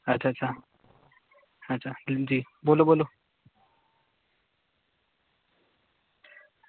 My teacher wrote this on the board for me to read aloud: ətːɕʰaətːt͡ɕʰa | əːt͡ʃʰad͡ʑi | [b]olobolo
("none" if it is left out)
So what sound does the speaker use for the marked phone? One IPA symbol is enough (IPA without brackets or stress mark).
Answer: b